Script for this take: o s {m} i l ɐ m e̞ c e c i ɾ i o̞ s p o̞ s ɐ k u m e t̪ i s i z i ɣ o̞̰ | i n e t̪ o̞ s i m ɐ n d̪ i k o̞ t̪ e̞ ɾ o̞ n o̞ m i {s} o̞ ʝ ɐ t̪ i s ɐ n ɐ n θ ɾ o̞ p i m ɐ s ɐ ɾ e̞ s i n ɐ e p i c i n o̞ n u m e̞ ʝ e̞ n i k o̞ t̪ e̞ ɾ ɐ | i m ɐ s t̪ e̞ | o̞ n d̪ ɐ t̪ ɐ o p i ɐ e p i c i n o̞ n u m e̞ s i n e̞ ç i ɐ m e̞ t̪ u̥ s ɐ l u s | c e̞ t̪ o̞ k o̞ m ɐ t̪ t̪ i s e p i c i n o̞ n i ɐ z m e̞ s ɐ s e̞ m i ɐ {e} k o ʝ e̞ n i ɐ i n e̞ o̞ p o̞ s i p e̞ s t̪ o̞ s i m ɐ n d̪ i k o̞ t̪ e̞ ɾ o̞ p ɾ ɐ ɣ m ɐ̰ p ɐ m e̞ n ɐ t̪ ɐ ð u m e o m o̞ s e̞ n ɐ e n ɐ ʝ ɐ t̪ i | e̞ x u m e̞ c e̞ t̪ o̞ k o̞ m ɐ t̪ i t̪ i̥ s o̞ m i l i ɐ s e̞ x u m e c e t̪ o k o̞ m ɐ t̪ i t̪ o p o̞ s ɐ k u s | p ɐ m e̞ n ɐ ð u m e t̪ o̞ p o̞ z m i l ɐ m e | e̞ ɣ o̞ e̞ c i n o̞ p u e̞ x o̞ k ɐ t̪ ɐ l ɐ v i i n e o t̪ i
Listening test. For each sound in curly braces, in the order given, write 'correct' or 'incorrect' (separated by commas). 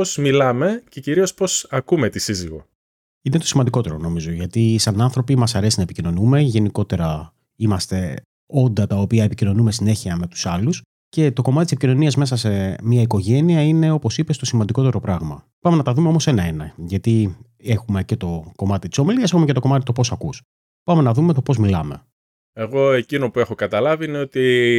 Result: correct, incorrect, incorrect